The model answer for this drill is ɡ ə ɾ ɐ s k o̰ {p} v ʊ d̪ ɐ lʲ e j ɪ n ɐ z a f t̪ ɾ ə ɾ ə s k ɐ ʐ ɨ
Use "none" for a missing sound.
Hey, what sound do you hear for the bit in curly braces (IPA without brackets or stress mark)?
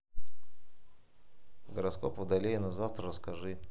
p